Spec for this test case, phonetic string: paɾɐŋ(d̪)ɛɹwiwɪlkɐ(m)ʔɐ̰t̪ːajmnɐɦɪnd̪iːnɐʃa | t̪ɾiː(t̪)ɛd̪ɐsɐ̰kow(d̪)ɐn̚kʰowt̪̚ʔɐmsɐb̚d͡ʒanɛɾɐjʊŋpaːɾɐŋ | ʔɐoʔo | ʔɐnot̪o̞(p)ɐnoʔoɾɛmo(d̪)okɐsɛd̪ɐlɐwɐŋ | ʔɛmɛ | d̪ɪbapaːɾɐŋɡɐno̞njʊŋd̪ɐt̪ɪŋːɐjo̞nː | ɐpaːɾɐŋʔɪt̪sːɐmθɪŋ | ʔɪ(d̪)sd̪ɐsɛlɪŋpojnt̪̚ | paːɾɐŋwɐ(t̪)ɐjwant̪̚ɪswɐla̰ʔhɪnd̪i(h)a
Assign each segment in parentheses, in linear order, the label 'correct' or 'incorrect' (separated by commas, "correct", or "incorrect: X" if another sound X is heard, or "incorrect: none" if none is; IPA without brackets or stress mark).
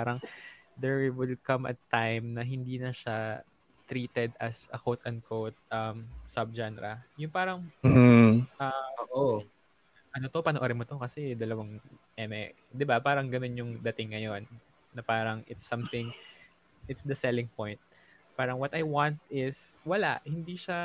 correct, correct, correct, incorrect: t̪, correct, incorrect: t̪, incorrect: t̪, correct, incorrect: ʃ